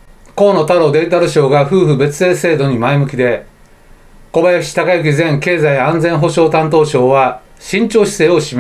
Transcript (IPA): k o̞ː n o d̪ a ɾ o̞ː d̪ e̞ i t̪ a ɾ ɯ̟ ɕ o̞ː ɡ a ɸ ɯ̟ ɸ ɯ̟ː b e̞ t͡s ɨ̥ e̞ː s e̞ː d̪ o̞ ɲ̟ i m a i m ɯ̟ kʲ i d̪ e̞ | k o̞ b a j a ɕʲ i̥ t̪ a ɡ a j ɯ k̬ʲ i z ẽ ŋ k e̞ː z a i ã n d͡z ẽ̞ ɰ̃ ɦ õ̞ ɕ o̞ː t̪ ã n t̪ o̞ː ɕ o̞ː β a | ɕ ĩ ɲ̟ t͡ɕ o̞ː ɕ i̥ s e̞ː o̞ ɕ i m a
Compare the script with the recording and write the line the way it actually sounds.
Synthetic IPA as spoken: k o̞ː n o t̪ a ɾ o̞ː d̪ e̞ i t̪ a ɾ ɯ̟ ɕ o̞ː ɡ a ɸ ɯ̟ː ɸ ɯ̟ b e̞ t͡s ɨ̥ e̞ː s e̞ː d̪ o̞ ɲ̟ i m a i m ɯ̟ kʲ i d̪ e̞ | k o̞ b a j a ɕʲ i̥ t̪ a k a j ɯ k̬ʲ i z ẽ ŋ k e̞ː z a i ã n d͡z ẽ̞ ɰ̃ ɦ o̞ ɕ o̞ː t̪ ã n t̪ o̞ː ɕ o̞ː β a | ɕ ĩ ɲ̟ t͡ɕ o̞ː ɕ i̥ s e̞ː o̞ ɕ i m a